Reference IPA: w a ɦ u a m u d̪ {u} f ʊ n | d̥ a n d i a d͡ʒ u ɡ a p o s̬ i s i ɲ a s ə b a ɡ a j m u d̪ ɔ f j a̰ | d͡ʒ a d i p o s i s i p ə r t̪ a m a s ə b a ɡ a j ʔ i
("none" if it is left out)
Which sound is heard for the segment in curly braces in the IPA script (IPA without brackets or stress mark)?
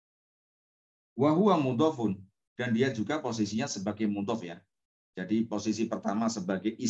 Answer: ɔ